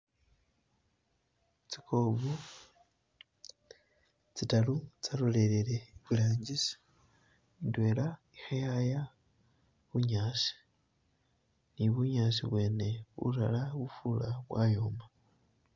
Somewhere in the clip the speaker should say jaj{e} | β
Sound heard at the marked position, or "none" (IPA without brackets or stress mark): a